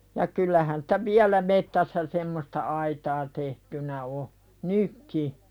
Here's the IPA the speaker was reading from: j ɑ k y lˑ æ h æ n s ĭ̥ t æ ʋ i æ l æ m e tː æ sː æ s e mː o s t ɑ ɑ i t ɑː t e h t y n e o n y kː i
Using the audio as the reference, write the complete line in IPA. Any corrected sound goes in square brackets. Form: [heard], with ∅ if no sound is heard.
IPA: j ɑ k y lˑ æ h æ n s ĭ̥ t æ ʋ i æ l æ m e tː æ sː æ s e mː o s t ɑ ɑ i t ɑː t e h t y n [æ] o n y kː i